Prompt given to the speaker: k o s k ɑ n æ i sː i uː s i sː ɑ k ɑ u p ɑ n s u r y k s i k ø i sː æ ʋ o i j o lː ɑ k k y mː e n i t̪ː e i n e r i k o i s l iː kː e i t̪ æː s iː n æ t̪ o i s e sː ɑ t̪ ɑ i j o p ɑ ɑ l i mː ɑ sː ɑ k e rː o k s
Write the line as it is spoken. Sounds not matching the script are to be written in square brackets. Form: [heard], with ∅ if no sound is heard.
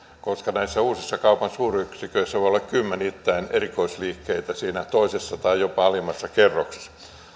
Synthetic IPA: k o s k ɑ n æ i sː [æ] uː s i sː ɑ k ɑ u p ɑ n s [uː] r y k s i k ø i sː æ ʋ o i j o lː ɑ k k y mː e n i t̪ː [æ] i n e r i k o i s l iː kː e i t̪ [æ] s iː n æ t̪ o i s e sː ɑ t̪ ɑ i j o p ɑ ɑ l i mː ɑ sː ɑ k e rː o k s